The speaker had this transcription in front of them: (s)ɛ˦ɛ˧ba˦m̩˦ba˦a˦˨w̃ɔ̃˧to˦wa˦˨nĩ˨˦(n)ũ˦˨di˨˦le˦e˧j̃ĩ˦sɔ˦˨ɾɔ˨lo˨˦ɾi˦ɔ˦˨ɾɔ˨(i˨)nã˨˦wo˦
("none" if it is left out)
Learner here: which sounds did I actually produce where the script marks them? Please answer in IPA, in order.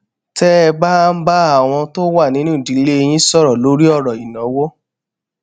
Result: t, n, i˨

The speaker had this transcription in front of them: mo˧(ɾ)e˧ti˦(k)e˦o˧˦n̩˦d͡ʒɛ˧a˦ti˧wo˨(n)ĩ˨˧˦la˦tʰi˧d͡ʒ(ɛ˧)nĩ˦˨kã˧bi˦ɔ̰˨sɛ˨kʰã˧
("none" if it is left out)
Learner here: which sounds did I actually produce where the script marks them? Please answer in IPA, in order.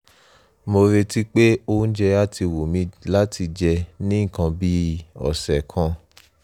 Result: ɾ, k͡p, m, ɛ˧

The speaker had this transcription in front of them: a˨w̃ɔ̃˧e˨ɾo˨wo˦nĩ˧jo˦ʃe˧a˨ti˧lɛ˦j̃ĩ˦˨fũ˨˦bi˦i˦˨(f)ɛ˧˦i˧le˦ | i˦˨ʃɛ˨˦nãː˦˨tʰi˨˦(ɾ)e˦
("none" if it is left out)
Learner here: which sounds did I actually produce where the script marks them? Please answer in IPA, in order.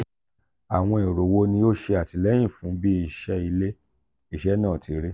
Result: ʃ, ɾ

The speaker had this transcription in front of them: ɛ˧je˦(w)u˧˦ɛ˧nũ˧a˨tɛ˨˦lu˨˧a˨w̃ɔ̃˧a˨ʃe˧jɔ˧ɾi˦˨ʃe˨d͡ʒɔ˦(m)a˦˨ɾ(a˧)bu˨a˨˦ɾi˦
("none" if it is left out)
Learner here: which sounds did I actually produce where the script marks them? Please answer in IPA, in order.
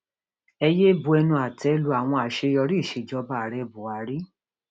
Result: b, b, ɛ˧

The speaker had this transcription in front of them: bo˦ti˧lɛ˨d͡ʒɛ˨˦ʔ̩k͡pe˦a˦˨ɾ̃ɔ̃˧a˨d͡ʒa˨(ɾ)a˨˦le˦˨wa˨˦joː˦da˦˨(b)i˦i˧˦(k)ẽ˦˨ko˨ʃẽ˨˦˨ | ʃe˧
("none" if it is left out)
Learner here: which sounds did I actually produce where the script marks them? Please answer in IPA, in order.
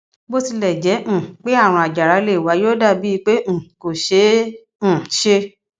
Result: ɾ, b, k͡p

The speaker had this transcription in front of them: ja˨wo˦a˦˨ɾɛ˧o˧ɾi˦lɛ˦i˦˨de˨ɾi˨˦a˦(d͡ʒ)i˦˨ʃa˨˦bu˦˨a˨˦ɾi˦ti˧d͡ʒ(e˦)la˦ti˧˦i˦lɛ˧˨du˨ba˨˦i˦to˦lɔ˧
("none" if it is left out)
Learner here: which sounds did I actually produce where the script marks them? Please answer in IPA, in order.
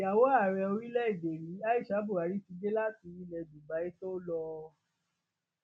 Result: none, e˦

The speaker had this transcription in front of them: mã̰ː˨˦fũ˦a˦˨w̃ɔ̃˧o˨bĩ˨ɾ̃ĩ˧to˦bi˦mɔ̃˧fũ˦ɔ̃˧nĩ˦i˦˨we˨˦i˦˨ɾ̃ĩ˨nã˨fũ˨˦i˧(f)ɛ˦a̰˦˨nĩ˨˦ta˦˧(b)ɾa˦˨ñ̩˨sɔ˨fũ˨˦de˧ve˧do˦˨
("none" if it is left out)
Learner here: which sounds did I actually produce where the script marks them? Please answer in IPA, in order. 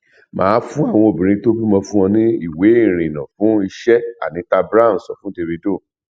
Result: ʃ, b

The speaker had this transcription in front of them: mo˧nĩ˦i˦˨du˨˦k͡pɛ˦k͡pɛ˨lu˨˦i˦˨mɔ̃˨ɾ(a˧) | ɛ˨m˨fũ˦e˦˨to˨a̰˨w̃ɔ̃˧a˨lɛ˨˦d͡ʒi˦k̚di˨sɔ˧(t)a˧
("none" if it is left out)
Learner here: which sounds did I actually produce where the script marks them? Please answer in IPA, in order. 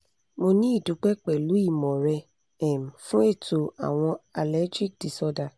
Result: ɛ˧, d

